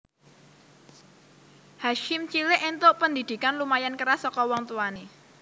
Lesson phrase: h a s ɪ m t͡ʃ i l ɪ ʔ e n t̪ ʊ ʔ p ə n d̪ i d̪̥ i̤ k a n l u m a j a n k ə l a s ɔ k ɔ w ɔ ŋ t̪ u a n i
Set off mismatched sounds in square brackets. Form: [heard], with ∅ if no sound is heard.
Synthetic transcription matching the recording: h a [ʃ] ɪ m t͡ʃ i l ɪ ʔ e n t̪ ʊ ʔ p ə n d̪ i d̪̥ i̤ k a n l u m a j a n k ə [ɾ] a s ɔ k ɔ w ɔ ŋ t̪ u a n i